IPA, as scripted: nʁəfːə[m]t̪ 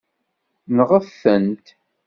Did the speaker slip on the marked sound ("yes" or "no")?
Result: yes